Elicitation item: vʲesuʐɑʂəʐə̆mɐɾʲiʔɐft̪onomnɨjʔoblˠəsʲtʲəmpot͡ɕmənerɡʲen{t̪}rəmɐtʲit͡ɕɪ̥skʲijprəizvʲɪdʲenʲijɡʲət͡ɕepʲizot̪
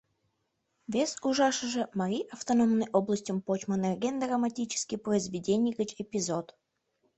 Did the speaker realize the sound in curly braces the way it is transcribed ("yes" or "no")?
no